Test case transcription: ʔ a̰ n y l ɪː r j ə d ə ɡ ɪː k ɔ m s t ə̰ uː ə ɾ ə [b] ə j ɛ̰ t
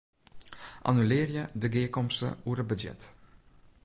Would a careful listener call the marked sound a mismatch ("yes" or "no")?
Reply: no